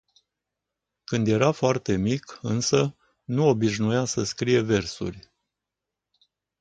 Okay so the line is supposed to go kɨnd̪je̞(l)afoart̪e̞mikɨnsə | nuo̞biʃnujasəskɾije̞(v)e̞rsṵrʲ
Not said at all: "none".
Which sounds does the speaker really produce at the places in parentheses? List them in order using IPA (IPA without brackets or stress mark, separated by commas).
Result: ɾ, v